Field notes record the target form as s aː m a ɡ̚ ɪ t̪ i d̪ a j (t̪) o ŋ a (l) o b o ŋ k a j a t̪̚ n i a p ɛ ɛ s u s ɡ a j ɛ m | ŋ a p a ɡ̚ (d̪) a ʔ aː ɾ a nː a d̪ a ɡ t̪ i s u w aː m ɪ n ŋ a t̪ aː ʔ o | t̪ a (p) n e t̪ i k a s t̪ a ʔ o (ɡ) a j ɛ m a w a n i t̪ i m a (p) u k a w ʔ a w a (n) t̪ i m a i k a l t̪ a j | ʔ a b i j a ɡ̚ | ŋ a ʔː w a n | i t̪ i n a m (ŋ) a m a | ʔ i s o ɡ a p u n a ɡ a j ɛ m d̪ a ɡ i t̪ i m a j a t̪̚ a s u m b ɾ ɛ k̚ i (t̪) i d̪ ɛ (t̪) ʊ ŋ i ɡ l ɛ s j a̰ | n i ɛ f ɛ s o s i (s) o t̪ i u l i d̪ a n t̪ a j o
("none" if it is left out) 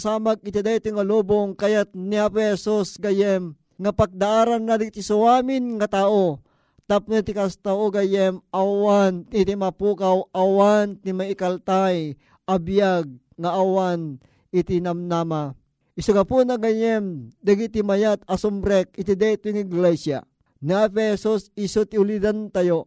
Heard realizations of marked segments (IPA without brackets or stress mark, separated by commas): t̪, l, d̪, p, ɡ, p, n, n, t̪, t̪, s